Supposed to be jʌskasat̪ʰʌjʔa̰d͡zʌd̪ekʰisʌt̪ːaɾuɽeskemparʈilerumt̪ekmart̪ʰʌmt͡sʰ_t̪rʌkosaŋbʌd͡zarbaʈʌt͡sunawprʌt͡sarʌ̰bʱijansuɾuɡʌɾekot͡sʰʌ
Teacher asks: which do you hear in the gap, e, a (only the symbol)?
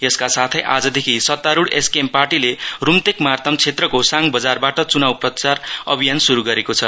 e